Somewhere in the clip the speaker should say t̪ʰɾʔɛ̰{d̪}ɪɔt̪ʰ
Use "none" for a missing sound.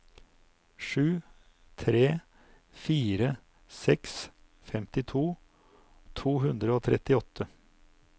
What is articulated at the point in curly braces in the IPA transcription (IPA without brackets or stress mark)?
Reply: t̪